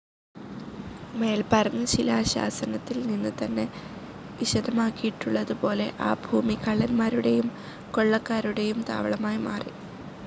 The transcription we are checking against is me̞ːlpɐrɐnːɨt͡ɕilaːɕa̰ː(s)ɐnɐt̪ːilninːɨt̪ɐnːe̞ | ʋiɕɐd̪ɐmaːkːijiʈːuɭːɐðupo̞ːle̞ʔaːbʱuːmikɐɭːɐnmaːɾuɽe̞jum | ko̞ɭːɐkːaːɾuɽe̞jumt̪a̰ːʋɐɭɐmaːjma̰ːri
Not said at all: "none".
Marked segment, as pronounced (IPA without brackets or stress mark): s